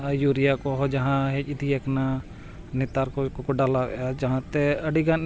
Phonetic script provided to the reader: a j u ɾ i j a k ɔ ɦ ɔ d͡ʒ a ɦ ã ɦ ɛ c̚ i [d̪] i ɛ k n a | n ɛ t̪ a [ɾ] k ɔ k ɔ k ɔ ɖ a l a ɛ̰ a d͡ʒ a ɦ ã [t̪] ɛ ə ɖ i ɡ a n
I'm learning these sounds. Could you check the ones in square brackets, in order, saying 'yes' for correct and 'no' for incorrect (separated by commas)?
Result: yes, yes, yes